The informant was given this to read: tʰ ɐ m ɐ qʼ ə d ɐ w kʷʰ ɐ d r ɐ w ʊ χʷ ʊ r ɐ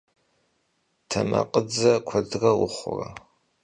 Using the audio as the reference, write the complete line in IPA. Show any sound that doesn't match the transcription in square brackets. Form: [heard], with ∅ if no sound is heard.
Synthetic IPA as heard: tʰ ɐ m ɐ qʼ ə [d͡z] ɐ [∅] kʷʰ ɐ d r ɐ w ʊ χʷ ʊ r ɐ